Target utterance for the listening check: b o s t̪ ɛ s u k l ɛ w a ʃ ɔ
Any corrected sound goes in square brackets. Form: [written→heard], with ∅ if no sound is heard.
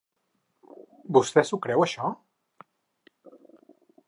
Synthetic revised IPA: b [o→u] s t̪ ɛ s u k [l→ɾ] ɛ w [a→ə] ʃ ɔ